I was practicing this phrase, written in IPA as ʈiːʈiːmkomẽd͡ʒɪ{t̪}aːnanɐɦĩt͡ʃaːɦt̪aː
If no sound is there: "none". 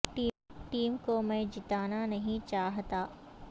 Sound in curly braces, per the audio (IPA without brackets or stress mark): t̪